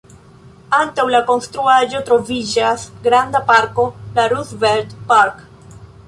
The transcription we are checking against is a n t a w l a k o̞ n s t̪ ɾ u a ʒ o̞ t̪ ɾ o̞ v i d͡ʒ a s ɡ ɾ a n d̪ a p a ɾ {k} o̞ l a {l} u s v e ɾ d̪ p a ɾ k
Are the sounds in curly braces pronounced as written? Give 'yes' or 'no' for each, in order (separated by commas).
yes, no